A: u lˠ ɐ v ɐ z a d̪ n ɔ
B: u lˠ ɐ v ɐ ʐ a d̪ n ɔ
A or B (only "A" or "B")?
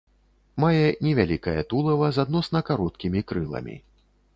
A